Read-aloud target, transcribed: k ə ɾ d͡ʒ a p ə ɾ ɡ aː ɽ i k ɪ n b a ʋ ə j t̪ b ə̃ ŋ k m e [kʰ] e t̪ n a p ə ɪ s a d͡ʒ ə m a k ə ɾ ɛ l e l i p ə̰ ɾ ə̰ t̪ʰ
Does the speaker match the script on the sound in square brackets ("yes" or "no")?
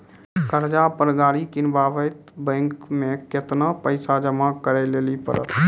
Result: no